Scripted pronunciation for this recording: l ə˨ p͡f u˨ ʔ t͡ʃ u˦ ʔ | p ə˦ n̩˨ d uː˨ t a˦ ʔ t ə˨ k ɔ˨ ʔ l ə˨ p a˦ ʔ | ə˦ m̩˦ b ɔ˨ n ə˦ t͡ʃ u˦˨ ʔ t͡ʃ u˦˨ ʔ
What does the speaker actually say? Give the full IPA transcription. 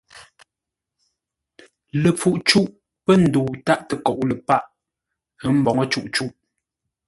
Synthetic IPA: l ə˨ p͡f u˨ ʔ t͡ʃ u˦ ʔ | p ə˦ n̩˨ d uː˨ t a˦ ʔ t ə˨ k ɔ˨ ʔ l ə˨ p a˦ ʔ | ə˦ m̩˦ b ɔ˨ ŋ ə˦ t͡ʃ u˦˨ ʔ t͡ʃ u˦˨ ʔ